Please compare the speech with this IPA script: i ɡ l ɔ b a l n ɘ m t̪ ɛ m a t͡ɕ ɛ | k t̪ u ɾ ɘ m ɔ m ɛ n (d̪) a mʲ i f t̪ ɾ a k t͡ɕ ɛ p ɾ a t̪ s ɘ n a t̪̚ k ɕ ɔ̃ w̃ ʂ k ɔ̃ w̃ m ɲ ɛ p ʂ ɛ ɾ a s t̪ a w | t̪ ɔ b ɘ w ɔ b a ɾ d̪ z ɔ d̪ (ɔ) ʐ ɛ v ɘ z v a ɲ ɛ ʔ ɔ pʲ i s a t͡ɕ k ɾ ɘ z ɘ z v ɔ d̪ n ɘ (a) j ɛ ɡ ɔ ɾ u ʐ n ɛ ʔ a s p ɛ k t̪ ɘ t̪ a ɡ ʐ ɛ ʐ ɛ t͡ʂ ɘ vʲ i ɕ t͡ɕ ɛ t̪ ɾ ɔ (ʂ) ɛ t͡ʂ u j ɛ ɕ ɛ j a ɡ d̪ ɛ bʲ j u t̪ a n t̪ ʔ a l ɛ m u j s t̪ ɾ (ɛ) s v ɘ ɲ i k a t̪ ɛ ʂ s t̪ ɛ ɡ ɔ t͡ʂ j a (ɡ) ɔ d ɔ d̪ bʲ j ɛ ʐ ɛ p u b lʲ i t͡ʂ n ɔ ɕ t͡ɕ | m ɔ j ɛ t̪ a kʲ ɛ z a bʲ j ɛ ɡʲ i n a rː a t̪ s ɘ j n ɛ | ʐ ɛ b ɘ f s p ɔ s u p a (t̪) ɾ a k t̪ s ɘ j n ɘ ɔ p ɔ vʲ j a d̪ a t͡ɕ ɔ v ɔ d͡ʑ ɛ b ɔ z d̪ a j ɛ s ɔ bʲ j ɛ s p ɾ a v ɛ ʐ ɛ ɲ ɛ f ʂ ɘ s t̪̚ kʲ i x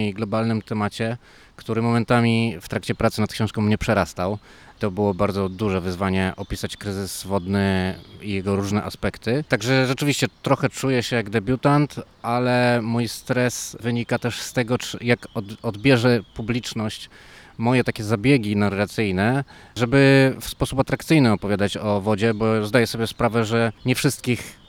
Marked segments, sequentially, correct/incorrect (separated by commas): incorrect, incorrect, incorrect, incorrect, correct, incorrect, correct